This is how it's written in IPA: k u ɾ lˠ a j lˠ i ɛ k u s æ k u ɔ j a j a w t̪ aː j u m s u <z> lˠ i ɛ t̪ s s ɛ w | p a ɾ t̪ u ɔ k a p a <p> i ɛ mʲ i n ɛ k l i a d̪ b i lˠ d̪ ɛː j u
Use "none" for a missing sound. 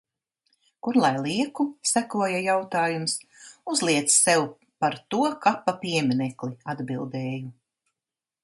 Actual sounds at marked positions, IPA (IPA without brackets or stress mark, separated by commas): z, p